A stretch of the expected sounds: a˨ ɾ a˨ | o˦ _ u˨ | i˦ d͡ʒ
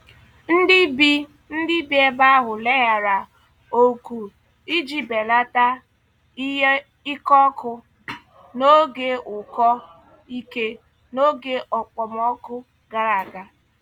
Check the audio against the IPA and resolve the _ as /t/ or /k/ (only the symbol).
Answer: k